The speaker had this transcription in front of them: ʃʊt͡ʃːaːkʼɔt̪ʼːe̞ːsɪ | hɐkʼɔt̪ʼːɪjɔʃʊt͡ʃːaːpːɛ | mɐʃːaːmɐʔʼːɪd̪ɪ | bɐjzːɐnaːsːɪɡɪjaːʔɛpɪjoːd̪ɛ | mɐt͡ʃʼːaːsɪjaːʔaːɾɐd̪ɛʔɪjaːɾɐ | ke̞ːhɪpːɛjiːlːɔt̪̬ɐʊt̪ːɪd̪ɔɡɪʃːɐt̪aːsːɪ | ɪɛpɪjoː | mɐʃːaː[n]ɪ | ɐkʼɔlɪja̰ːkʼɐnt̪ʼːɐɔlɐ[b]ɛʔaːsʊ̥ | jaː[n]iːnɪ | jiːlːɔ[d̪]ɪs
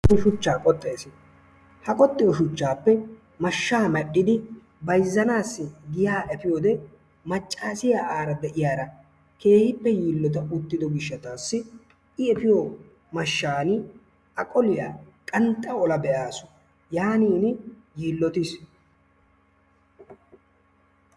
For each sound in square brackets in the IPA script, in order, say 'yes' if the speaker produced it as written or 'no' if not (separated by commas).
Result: yes, yes, yes, no